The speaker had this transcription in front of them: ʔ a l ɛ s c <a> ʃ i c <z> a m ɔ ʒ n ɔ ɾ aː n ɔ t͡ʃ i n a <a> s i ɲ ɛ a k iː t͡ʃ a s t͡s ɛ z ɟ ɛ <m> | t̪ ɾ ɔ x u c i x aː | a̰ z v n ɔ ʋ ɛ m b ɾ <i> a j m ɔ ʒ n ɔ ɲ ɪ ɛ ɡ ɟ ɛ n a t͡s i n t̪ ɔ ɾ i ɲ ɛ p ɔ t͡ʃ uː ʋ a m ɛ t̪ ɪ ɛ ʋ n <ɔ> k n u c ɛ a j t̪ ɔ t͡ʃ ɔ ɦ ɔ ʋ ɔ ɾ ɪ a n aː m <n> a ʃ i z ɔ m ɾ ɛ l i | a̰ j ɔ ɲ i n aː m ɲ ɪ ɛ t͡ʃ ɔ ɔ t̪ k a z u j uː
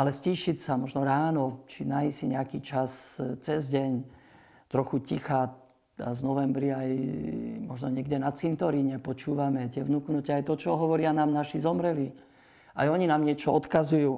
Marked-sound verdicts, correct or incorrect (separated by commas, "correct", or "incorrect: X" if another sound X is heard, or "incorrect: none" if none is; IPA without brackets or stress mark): incorrect: i, incorrect: s, incorrect: i, incorrect: ɲ, correct, incorrect: u, correct